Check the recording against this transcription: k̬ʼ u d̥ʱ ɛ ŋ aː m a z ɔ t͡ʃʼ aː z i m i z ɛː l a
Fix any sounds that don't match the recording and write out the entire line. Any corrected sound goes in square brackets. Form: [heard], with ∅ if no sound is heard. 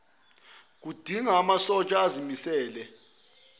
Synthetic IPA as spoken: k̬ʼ u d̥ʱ [i] ŋ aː m a [s] ɔ t͡ʃʼ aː z i m i [s] ɛː l [ɛ]

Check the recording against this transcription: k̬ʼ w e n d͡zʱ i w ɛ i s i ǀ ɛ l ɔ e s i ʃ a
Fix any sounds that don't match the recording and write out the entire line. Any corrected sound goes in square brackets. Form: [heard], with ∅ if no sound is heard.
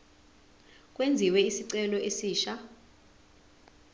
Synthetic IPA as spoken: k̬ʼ w e n d͡zʱ i w ɛ i s i ǀ ɛ l ɔ e s [iː] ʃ a

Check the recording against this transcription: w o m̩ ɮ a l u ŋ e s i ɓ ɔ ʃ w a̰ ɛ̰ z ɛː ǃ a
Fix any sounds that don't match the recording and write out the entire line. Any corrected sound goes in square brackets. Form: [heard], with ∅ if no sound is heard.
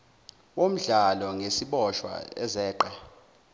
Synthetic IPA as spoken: w o m̩ ɮ a l [ɔ] ŋ e s i ɓ ɔ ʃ w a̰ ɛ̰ z ɛː ǃ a

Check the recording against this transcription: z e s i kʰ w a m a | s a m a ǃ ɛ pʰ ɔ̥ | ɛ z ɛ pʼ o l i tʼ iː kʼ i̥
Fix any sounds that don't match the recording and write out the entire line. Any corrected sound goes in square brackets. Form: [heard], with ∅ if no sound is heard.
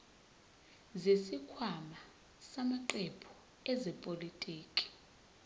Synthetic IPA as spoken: z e s i kʰ w a m a | s a m a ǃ ɛ pʰ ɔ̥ | ɛ z ɛ pʼ o l i tʼ iː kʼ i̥

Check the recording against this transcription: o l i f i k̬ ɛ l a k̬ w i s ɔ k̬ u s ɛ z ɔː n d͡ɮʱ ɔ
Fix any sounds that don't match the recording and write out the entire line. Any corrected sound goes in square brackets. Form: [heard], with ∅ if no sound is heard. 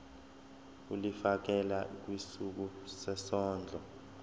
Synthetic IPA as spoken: [u] l i f [a] k̬ ɛ l a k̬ w i s [u] k̬ u s ɛ [s] ɔː n d͡ɮʱ ɔ

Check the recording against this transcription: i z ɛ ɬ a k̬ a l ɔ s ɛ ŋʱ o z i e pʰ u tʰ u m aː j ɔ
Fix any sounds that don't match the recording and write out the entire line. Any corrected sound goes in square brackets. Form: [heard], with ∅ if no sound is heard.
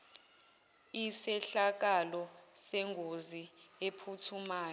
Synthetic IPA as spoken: i [s] ɛ ɬ a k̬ a l ɔ s ɛ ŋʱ o z i e pʰ u tʰ u m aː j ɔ

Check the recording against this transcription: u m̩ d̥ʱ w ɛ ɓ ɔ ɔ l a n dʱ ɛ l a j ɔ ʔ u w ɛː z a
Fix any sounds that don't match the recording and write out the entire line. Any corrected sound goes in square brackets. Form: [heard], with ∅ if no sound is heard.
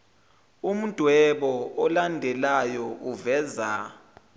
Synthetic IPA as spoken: u m̩ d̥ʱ w ɛ ɓ ɔ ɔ l a n dʱ ɛ l a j ɔ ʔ u [v] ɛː z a

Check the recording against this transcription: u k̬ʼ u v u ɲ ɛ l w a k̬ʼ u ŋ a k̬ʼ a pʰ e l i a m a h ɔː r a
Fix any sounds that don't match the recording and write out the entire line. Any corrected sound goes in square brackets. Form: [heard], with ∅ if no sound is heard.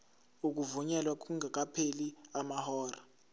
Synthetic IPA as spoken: u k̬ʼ u v u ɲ ɛ l w a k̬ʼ u ŋ a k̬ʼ a pʰ e l i a m a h ɔː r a

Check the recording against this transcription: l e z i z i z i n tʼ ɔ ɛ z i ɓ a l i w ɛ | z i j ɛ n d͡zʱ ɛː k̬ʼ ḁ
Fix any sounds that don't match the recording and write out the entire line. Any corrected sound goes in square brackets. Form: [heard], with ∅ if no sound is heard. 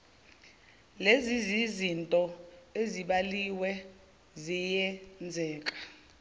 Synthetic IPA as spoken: l e z i z i z i n tʼ ɔ [e] z i ɓ a l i w ɛ | z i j ɛ n d͡zʱ ɛː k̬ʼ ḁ

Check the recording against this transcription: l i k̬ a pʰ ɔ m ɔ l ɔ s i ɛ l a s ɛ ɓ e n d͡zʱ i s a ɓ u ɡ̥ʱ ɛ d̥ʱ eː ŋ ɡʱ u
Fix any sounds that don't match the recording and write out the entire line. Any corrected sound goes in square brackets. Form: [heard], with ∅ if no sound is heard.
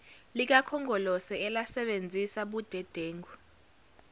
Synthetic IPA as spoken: l i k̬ a [kʰ] ɔ [ŋ] ɔ l ɔ s [ɛ] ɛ l a s ɛ ɓ e n d͡zʱ i s a ɓ u [d̥ʱ] ɛ d̥ʱ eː ŋ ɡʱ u

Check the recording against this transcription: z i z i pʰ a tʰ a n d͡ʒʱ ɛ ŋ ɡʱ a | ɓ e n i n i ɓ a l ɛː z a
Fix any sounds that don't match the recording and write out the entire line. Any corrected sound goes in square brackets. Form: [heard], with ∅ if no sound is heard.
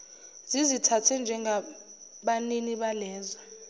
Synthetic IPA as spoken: z i z i [tʰ] a tʰ [ɛ] n d͡ʒʱ ɛ ŋ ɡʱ a | ɓ [a] n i n i ɓ a l ɛː z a

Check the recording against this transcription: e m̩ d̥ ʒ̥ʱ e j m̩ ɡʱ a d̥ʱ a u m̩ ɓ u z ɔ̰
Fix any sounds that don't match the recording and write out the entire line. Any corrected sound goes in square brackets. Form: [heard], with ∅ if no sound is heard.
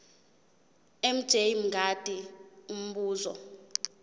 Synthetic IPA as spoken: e m̩ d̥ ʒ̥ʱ e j m̩ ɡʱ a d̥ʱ [i] u m̩ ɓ [uː] z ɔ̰

